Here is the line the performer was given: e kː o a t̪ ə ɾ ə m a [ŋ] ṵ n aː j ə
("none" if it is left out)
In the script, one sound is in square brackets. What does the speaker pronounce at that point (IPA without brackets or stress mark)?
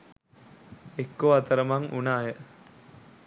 ŋ